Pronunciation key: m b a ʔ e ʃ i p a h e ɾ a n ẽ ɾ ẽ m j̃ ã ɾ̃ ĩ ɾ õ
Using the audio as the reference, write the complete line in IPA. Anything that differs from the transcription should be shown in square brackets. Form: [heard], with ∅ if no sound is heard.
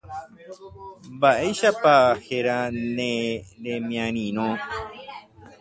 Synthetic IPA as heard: m b a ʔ e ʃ [a] p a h e ɾ a n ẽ ɾ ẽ m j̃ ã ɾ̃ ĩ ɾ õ